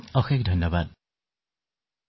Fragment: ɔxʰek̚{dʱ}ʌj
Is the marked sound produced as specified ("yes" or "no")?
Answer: yes